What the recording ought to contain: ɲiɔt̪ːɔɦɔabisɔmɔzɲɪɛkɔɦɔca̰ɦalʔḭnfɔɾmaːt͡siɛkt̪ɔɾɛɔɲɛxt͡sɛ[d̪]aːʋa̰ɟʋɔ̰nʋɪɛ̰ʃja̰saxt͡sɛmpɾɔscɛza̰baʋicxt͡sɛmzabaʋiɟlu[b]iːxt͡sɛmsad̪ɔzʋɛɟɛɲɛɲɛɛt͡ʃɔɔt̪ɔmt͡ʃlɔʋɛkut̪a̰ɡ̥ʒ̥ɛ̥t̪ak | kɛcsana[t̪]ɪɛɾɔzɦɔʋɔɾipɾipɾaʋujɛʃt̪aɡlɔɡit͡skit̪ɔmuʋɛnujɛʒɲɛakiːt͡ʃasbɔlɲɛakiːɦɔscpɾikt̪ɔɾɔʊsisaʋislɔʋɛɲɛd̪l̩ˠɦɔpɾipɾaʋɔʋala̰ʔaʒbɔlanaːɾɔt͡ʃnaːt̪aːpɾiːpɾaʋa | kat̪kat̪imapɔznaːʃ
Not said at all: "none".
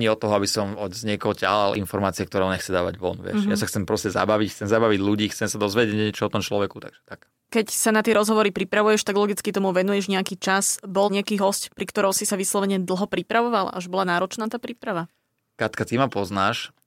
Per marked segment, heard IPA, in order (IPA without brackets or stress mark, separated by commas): d̪, ɟ, t̪